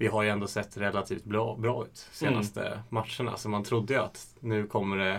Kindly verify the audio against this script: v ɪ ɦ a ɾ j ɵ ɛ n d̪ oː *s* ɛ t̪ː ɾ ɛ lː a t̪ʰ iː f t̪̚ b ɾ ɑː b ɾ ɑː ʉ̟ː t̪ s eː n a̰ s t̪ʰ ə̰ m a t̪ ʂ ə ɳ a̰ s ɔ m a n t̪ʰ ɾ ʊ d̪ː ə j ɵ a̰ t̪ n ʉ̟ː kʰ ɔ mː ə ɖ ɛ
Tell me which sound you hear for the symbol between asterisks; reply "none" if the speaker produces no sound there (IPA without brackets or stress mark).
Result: s